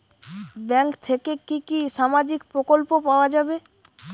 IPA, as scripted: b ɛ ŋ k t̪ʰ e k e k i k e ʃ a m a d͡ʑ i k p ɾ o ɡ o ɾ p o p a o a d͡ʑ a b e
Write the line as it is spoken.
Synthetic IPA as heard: b ɛ ŋ k t̪ʰ e k e k i k i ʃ a m a d͡ʑ i k p ɾ o k o l p o p a o a d͡ʑ a b e